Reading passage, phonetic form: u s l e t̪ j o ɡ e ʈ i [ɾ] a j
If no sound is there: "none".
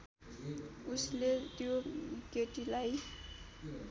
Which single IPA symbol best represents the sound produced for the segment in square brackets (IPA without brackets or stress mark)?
l